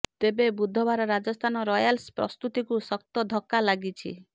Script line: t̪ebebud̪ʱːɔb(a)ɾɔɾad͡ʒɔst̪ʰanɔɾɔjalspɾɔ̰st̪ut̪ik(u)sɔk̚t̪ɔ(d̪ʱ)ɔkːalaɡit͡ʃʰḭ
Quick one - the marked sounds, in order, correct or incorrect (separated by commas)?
correct, correct, correct